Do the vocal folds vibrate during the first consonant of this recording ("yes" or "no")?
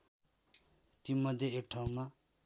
no